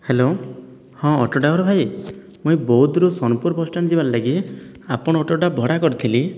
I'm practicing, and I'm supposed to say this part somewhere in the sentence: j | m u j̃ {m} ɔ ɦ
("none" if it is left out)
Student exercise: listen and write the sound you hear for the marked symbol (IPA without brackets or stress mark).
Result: b